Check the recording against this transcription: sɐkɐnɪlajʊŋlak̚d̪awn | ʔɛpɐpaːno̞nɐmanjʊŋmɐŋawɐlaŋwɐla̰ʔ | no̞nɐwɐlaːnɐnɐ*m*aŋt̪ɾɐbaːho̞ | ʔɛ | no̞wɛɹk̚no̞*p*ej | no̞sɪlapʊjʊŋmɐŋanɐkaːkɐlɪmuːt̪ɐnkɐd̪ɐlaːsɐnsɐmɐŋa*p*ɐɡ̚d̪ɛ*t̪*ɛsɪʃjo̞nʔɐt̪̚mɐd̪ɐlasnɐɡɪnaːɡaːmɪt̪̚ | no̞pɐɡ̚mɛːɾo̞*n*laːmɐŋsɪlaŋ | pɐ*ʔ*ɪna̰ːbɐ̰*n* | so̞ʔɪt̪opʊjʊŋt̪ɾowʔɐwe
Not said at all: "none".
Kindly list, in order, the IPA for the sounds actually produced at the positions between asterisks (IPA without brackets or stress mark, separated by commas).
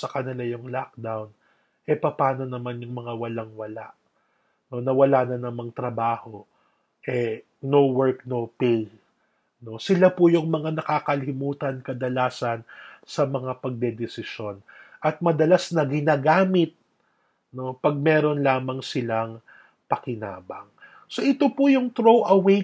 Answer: m, p, p, d̪, n, k, ŋ